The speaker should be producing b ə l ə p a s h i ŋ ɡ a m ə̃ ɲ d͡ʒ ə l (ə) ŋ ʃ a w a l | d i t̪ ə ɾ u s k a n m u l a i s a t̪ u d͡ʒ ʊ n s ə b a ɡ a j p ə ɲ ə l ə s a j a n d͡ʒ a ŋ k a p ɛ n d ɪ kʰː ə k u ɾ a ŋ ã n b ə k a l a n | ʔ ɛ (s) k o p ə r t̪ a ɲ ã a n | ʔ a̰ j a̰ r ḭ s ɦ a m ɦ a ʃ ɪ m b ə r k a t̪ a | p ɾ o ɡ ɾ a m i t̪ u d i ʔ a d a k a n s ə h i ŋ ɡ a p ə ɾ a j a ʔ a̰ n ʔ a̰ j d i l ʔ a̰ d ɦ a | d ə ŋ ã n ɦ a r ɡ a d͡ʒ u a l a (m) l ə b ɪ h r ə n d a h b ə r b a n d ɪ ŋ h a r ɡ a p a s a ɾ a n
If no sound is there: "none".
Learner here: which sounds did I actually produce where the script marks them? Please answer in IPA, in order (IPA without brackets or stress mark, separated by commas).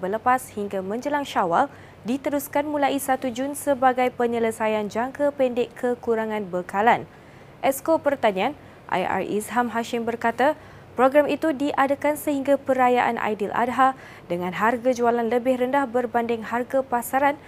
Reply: a, s, n